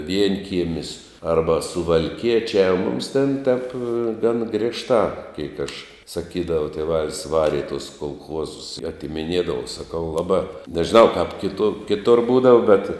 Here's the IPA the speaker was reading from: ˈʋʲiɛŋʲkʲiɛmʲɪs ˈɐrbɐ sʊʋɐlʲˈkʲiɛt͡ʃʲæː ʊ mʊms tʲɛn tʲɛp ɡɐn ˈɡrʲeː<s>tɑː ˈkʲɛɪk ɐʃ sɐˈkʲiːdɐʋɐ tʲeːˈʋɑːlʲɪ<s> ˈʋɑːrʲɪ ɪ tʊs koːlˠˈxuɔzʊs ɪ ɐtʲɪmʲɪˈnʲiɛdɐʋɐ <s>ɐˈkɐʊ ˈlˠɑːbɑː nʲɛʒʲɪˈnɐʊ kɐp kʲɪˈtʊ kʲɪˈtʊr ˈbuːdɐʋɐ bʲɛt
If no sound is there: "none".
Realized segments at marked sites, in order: ʃ, s, s

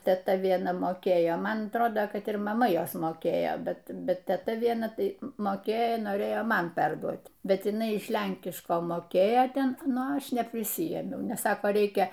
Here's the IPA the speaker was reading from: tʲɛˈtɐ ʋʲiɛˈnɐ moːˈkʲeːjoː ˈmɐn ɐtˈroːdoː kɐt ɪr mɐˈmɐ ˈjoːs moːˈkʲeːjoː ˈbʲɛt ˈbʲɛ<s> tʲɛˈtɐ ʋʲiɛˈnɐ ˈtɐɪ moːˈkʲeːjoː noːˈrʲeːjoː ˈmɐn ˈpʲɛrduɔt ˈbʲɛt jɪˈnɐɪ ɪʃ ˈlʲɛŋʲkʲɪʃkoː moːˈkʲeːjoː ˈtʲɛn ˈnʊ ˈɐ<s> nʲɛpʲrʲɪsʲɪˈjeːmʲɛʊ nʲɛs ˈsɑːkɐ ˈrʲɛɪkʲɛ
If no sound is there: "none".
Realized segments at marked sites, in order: t, ʃ

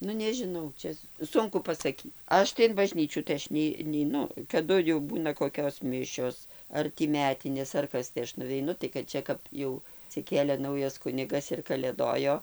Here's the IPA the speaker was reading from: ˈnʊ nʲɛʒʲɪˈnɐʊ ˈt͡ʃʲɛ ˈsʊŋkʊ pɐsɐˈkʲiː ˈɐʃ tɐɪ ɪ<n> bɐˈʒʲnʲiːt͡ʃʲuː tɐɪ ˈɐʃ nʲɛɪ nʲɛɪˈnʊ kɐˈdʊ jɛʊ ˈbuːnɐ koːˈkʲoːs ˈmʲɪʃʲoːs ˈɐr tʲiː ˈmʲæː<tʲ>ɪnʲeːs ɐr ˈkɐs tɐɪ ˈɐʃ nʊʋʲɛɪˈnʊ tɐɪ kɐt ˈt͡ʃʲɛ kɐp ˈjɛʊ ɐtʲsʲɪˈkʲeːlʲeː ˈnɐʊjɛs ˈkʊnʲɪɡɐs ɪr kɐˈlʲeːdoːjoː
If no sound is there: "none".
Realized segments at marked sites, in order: n, tʲ

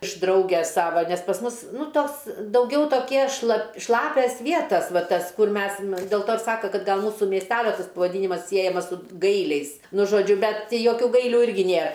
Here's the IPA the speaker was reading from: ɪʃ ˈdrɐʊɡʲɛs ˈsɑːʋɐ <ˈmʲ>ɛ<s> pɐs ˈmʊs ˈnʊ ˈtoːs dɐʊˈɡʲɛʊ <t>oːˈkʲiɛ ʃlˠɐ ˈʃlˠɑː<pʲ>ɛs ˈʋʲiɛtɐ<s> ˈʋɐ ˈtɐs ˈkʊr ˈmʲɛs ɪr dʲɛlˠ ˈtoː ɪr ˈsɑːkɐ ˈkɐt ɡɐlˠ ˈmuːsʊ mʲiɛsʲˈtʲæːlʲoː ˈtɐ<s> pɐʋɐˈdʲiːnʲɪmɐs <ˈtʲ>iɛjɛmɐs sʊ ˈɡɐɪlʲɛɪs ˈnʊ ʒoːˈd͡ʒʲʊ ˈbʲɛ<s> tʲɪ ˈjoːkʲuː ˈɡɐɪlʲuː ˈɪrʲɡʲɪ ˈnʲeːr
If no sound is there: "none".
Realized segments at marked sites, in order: nʲ, s, t, pʲ, s, s, sʲ, t

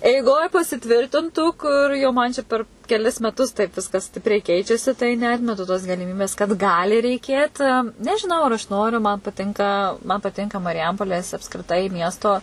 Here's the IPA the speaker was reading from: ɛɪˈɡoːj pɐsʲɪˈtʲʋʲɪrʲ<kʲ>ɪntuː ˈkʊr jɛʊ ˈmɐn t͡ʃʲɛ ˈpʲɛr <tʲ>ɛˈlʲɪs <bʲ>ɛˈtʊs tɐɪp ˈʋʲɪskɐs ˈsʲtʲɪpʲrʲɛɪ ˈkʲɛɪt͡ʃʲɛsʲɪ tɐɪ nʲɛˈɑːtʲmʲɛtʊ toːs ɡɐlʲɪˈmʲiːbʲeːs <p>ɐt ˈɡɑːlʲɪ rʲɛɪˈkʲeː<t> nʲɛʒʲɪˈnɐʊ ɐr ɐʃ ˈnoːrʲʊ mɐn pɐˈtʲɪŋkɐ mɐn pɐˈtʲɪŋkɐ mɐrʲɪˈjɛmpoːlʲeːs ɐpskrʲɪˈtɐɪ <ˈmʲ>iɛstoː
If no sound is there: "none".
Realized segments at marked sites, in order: tʲ, kʲ, mʲ, k, t, mʲ

